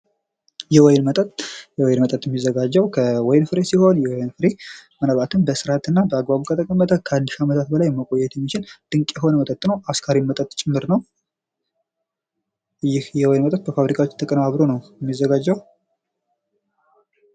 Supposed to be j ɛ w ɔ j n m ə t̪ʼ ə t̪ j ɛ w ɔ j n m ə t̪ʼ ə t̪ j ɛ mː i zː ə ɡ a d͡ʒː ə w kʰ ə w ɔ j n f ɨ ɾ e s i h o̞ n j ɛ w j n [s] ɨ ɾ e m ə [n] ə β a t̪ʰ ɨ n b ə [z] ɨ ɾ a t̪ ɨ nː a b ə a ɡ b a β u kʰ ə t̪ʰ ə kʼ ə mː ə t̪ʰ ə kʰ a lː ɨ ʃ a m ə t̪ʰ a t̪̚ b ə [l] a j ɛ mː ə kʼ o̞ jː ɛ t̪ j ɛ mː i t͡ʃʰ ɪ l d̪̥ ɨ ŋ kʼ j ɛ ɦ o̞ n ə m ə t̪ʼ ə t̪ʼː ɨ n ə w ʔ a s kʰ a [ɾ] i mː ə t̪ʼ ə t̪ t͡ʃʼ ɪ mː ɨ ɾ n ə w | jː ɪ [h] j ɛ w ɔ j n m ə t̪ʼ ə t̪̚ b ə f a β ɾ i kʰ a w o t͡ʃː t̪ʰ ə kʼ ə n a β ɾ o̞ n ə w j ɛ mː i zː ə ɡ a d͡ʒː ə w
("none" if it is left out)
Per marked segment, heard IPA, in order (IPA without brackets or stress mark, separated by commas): f, n, s, l, ɾ, h